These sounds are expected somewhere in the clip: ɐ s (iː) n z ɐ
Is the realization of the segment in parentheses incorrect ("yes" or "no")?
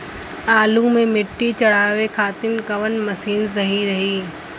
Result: no